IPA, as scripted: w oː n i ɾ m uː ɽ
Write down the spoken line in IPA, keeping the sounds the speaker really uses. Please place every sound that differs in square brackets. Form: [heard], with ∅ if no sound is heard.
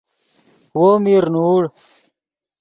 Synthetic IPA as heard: w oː [m] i ɾ [n] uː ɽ